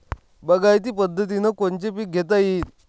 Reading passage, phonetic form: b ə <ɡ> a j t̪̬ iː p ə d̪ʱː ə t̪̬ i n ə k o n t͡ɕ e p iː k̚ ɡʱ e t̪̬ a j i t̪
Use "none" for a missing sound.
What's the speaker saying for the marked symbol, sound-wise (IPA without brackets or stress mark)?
ɡ